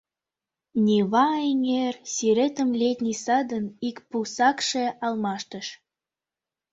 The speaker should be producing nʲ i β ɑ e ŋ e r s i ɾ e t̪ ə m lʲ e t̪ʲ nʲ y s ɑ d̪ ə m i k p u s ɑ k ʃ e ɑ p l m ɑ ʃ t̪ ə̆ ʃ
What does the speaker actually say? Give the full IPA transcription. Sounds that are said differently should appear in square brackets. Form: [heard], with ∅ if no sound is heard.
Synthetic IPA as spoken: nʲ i β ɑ e ŋ e r s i ɾ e t̪ ə m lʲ e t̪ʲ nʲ [i] s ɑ d̪ ə [n] i k p u s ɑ k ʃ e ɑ [∅] l m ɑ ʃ t̪ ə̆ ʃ